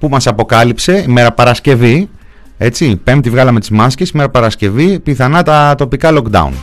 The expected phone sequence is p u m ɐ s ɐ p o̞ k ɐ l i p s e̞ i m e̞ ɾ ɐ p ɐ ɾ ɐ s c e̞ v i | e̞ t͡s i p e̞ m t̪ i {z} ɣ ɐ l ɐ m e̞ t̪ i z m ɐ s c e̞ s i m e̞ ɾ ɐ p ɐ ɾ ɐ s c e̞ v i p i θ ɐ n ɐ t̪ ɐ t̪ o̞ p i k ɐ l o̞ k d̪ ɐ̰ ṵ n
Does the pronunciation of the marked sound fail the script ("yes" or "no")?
yes